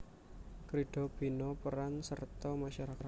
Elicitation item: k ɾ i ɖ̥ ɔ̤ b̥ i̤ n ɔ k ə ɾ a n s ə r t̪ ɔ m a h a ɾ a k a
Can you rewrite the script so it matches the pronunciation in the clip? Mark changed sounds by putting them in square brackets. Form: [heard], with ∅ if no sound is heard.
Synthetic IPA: k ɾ i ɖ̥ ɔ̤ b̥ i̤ n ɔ [p] ə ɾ a n s ə r t̪ ɔ m a [ʃ] a ɾ a k a

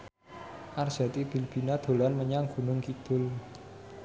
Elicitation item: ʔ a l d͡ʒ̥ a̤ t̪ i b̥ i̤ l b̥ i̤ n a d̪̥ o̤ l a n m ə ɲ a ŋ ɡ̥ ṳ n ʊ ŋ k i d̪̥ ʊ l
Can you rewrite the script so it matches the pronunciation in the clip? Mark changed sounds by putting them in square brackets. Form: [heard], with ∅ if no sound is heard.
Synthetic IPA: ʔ a [r] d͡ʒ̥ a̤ t̪ i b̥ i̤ l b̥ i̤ n a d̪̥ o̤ l a n m ə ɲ a ŋ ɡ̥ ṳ n ʊ ŋ k i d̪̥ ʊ l

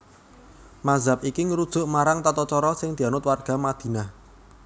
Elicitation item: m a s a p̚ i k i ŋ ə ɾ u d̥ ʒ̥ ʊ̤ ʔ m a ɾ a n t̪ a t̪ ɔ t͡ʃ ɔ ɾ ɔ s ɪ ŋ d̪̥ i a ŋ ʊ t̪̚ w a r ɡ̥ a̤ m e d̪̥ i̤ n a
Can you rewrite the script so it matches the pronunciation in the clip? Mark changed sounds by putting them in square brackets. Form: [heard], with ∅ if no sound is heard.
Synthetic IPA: m a [z] a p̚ i k i ŋ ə ɾ u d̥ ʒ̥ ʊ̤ ʔ m a ɾ a [ŋ] t̪ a t̪ ɔ t͡ʃ ɔ ɾ ɔ s ɪ ŋ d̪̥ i a [n] ʊ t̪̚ w a r ɡ̥ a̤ m [a] d̪̥ i̤ n a

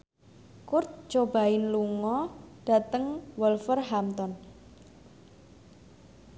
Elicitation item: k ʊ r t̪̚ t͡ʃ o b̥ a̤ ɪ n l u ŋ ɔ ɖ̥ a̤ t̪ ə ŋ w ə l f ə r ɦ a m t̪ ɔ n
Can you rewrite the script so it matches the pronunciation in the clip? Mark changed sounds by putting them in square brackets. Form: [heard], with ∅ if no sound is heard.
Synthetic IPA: k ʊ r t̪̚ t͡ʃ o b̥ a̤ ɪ n l u ŋ ɔ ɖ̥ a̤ t̪ ə ŋ w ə l f ə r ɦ a m t̪ ɔ n

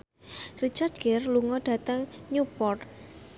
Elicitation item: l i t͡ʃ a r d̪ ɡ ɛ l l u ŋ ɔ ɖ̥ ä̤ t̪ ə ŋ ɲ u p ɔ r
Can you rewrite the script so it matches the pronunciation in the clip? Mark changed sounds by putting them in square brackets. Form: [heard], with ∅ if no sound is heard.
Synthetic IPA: [r] i t͡ʃ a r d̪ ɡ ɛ [r] l u ŋ ɔ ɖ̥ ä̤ t̪ ə ŋ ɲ u p ɔ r

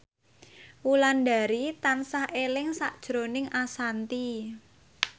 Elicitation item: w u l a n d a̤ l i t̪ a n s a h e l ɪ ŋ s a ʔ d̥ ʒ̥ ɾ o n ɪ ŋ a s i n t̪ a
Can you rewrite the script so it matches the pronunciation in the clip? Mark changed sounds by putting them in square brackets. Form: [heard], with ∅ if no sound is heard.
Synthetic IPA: w u l a n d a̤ [ɾ] i t̪ a n s a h e l ɪ ŋ s a ʔ d̥ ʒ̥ ɾ o n ɪ ŋ a s [a] n t̪ [i]

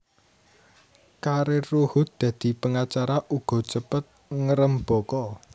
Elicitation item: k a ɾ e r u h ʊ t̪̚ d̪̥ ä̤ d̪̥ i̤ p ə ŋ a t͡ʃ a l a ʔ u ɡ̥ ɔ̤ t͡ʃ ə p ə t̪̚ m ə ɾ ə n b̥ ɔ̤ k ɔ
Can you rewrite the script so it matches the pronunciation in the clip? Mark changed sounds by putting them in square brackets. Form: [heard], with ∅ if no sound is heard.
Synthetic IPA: k a ɾ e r u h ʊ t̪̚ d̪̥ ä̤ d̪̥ i̤ p ə ŋ a t͡ʃ a [ɾ] a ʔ u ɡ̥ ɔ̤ t͡ʃ ə p ə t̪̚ [ŋ] ə ɾ ə [m] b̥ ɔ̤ k ɔ

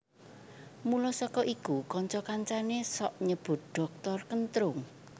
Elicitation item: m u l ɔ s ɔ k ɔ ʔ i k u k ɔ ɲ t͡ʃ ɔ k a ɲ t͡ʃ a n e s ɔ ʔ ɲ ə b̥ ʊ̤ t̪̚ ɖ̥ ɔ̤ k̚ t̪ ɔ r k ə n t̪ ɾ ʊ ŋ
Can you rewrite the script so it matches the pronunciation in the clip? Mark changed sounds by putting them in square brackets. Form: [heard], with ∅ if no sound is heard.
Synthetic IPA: m u l ɔ s ɔ k ɔ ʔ i k u k ɔ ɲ t͡ʃ ɔ k a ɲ t͡ʃ a n e s ɔ ʔ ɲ ə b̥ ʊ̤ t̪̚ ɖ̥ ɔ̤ k̚ t̪ ɔ r k ə n t̪ ɾ ʊ ŋ

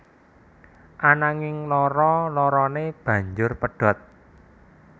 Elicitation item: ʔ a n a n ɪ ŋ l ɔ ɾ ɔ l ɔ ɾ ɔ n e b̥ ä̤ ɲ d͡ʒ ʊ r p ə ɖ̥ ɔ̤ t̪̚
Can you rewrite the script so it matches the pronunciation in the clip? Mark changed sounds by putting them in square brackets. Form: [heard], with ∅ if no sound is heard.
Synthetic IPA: ʔ a n a [ŋ] ɪ ŋ l ɔ ɾ ɔ l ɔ ɾ ɔ n e b̥ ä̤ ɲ d͡ʒ ʊ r p ə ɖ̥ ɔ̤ t̪̚

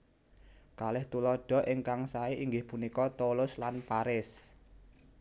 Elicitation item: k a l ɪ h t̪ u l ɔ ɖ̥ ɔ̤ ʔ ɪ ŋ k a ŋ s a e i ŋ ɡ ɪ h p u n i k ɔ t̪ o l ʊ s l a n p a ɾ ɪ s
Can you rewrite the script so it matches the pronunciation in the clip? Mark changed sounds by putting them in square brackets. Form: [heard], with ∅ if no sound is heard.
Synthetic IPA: k a l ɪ h t̪ u l ɔ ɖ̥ ɔ̤ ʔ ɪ ŋ k a ŋ s a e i ŋ ɡ ɪ h p u n i k ɔ t̪ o l ʊ s l a n p a ɾ ɪ s

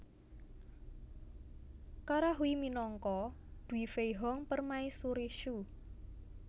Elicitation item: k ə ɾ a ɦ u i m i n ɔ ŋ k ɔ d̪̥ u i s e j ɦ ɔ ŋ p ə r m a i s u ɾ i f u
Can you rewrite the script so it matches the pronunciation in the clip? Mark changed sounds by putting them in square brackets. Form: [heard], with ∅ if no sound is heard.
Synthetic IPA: k [a] ɾ a ɦ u i m i n ɔ ŋ k ɔ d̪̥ u i [f] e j ɦ ɔ ŋ p ə r m a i s u ɾ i [ʃ] u

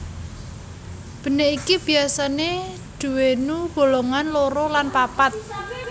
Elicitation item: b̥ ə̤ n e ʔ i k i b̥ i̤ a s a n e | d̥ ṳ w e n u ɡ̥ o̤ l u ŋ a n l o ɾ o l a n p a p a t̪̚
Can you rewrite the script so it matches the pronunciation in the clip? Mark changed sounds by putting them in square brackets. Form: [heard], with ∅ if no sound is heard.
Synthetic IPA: b̥ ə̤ n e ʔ i k i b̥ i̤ a s a n e | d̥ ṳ w e n u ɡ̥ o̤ l [o] ŋ a n l o ɾ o l a n p a p a t̪̚

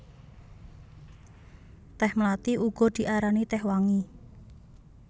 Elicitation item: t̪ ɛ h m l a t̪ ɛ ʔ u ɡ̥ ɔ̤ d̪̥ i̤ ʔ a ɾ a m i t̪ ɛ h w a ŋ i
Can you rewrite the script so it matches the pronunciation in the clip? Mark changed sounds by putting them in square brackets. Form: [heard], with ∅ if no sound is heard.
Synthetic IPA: t̪ ɛ h m l a t̪ [i] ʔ u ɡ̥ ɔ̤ d̪̥ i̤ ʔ a ɾ a [n] i t̪ ɛ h w a ŋ i

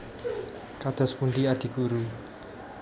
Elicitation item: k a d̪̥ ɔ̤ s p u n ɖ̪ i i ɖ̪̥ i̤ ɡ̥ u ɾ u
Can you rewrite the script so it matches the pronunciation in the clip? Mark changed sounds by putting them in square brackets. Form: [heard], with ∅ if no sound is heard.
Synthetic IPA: k a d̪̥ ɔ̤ s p u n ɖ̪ i [a] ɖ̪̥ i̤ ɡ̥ u ɾ u

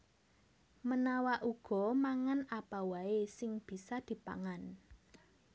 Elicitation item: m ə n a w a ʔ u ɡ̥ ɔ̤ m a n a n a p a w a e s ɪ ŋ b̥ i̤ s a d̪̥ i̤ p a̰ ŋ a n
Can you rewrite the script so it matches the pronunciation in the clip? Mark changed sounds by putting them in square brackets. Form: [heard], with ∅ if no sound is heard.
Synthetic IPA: m ə n a w a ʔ u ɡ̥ ɔ̤ m a [ŋ] a n a p a w a e s ɪ ŋ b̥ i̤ s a d̪̥ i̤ p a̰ ŋ a n

